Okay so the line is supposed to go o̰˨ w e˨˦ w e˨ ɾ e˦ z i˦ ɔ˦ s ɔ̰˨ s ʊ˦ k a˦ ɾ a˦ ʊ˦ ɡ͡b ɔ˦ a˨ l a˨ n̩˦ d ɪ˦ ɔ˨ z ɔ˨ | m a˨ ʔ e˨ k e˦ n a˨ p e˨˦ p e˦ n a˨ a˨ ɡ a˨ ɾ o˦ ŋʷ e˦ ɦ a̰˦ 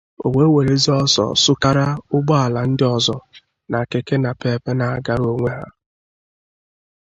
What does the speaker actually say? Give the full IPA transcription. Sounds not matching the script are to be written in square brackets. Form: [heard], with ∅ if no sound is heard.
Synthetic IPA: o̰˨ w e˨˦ w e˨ ɾ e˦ z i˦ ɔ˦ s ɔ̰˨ s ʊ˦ k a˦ ɾ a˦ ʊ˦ ɡ͡b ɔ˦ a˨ l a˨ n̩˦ d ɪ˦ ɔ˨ z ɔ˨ | [n] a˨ [k] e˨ k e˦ n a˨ p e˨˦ p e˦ n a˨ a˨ ɡ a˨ ɾ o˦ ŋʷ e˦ ɦ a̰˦

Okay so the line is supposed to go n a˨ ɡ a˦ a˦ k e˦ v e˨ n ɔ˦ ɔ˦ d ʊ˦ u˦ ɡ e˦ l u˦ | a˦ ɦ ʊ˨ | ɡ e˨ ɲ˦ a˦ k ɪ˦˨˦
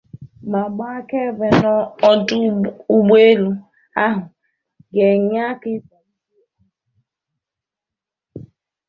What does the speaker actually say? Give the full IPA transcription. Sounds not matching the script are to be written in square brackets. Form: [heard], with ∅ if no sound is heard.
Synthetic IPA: [m] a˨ [ɡ͡b] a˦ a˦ k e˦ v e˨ n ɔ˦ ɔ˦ d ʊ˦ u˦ [ɡ͡b] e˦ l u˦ | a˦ ɦ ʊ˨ | ɡ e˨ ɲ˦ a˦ k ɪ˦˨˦

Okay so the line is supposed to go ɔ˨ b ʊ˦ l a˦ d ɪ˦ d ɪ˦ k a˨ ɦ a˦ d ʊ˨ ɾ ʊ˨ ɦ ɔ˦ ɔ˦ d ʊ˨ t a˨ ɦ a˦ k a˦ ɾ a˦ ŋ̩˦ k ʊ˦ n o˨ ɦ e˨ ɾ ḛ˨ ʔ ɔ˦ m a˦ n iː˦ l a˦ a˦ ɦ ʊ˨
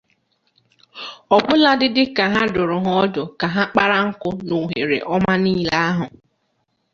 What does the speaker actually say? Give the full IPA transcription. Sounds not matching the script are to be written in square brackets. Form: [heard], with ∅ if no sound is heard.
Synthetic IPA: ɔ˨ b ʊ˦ l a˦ d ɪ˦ d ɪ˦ k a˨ ɦ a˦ d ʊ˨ ɾ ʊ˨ ɦ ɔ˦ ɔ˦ d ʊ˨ [k] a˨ ɦ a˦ [k͡p] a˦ ɾ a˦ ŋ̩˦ k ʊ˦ n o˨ ɦ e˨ ɾ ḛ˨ ʔ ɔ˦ m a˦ n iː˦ l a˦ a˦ ɦ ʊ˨

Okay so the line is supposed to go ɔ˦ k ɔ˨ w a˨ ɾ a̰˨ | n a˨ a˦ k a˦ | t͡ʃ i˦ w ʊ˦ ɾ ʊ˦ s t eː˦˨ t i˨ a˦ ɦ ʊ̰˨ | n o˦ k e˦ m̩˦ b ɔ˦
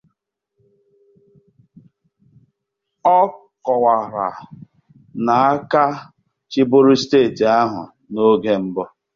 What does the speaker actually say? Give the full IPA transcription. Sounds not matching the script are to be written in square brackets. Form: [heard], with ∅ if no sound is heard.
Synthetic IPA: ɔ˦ k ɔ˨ w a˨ ɾ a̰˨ | n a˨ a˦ k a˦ | t͡ʃ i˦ [b] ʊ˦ ɾ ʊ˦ s t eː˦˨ t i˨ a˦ ɦ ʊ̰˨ | n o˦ [ɡ] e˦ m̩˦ b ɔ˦

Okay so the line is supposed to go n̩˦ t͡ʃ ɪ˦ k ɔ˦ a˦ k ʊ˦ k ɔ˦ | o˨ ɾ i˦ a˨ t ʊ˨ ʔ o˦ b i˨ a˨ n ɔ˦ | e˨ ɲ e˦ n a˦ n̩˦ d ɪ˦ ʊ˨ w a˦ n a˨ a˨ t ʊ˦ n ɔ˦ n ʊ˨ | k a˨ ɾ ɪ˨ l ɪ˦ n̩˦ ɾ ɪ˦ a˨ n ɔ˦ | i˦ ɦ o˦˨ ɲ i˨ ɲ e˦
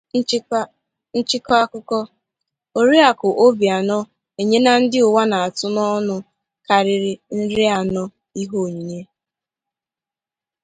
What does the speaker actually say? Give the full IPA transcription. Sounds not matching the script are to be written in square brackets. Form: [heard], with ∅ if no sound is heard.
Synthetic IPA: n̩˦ t͡ʃ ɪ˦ k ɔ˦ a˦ k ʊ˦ k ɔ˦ | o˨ ɾ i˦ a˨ [k] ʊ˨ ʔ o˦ b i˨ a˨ n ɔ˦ | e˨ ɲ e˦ n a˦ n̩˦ d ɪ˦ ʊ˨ w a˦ n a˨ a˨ t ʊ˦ n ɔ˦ n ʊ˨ | k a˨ ɾ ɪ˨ [ɾ] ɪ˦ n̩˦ ɾ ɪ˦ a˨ n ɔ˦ | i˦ ɦ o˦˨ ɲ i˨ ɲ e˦

